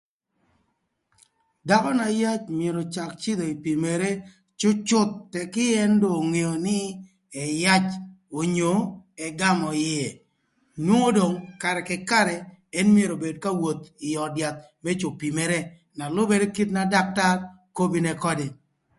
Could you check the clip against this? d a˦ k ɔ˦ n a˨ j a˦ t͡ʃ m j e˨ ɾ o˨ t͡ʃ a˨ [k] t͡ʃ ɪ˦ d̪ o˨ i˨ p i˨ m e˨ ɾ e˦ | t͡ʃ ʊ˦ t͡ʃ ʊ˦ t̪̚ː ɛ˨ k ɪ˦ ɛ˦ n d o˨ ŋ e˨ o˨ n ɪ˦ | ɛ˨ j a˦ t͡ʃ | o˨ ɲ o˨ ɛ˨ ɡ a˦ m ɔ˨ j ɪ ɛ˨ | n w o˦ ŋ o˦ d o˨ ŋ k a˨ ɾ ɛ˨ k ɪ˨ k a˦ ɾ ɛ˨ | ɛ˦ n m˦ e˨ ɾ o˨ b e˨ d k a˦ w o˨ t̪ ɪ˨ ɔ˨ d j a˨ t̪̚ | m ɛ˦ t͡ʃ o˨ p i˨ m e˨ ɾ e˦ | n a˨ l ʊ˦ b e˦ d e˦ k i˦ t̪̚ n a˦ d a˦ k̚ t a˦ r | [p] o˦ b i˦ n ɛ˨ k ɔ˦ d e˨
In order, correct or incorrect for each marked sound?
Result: correct, incorrect

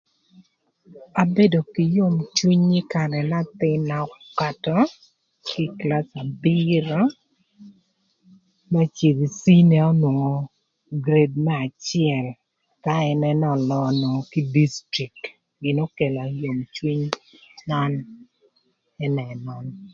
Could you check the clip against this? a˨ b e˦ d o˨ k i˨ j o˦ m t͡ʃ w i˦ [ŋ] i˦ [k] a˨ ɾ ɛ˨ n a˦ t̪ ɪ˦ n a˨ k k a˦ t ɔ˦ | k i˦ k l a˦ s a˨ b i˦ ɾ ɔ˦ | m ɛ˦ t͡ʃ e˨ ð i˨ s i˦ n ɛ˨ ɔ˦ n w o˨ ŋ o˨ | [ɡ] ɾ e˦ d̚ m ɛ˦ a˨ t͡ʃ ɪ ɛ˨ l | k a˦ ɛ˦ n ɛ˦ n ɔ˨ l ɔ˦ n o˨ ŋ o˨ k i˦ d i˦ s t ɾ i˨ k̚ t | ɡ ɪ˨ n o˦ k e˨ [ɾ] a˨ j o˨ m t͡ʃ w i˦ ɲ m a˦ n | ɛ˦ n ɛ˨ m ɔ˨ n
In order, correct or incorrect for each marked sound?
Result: incorrect, correct, correct, incorrect

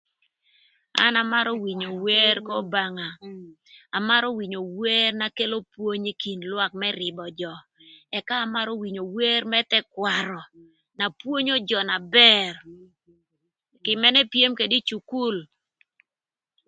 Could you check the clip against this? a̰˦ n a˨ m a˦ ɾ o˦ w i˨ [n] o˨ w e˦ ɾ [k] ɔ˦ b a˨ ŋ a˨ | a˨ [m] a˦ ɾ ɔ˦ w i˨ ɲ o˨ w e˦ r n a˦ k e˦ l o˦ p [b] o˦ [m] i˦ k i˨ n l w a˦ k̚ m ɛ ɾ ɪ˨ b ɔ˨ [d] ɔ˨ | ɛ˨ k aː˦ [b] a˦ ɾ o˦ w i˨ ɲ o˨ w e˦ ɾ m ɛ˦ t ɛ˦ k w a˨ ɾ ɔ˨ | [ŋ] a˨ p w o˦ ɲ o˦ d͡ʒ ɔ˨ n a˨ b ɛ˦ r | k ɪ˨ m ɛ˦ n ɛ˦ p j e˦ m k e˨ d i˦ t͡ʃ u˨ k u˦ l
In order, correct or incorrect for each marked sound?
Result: incorrect, correct, correct, incorrect, incorrect, incorrect, incorrect, incorrect

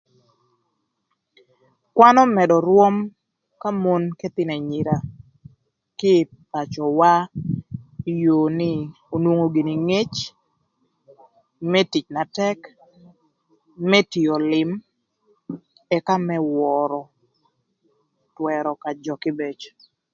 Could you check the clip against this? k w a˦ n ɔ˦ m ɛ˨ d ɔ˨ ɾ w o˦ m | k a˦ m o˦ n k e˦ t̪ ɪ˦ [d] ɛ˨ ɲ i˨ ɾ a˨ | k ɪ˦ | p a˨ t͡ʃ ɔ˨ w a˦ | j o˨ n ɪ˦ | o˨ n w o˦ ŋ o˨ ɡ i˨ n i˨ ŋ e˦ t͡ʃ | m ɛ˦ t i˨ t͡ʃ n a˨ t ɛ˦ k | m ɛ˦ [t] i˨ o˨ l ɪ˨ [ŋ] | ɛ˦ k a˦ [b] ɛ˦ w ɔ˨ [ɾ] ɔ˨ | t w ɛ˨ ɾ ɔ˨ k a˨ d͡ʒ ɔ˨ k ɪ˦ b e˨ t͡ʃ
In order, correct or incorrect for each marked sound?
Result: incorrect, correct, incorrect, incorrect, correct

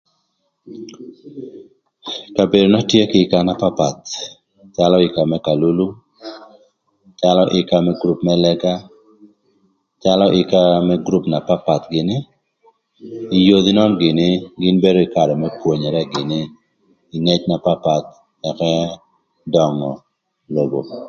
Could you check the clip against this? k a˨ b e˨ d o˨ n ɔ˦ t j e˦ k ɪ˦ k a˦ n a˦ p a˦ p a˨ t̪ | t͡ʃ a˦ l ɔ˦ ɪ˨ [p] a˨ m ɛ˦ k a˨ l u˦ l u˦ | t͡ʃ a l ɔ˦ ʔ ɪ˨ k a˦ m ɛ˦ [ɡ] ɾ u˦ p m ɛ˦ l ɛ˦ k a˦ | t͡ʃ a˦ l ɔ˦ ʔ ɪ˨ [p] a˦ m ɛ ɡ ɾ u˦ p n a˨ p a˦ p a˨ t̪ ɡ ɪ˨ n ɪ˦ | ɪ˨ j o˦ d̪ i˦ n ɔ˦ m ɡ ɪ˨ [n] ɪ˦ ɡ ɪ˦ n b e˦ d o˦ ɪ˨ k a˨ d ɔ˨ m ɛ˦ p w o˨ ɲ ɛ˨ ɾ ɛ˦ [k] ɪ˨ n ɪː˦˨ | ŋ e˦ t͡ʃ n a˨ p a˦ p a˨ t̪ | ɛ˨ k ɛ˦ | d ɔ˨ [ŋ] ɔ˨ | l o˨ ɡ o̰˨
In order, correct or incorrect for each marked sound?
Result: incorrect, correct, incorrect, correct, incorrect, correct

